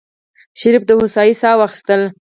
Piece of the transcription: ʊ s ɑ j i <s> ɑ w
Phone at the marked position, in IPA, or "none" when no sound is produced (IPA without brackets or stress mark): s